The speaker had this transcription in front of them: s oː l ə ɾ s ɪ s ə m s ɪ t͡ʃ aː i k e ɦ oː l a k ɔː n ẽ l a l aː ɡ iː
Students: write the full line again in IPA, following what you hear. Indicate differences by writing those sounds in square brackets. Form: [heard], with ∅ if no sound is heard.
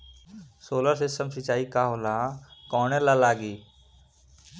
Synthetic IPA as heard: s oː l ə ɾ s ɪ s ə m s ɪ t͡ʃ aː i k [a] ɦ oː l a k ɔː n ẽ l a l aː ɡ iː